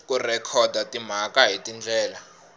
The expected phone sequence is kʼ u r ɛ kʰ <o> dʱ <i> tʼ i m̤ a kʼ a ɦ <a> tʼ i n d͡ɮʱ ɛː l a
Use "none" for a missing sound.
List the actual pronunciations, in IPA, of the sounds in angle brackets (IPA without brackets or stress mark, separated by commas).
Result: ɔ, a, i